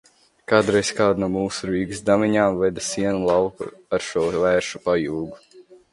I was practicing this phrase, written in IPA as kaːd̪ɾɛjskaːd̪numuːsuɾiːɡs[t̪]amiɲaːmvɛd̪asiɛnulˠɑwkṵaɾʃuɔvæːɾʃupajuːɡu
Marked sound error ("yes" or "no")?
yes